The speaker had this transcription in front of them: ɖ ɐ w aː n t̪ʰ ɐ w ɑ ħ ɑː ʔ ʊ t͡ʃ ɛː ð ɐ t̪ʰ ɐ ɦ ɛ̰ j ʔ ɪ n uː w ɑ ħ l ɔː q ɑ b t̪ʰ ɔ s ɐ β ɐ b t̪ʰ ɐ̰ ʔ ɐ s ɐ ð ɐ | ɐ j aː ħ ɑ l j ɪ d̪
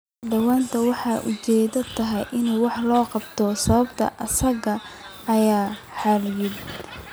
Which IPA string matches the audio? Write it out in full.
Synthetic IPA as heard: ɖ ɐ w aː n t̪ʰ ɐ w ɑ ħ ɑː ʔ ʊ t͡ʃ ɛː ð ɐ t̪ʰ ɐ ɦ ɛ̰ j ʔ ɪ n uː w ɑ ħ l ɔː q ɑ b t̪ʰ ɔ s ɐ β ɐ b t̪ʰ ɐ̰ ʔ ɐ s ɐ ɣ ɐ | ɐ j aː ħ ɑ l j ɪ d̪

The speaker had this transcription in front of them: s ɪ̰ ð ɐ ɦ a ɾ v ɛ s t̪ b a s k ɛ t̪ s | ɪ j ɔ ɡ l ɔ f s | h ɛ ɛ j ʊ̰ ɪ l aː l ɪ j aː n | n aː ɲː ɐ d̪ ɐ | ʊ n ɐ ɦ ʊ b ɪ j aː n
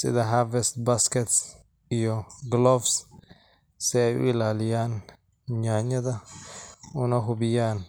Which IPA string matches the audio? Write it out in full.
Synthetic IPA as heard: s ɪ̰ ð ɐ ɦ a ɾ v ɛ s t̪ b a s k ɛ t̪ s | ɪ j ɔ ɡ l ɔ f s | s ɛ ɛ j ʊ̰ ɪ l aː l ɪ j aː n | ɲ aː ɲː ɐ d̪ ɐ | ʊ n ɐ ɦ ʊ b ɪ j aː n

